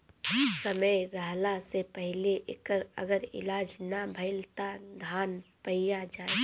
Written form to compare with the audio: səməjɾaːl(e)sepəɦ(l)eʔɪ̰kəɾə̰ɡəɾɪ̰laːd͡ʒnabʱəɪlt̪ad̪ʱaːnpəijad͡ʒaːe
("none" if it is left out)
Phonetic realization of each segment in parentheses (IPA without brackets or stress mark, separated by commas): a, l